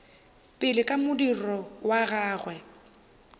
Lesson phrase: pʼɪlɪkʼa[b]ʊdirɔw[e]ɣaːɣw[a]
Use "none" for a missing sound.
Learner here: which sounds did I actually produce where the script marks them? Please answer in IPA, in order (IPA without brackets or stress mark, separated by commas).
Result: m, a, ɛ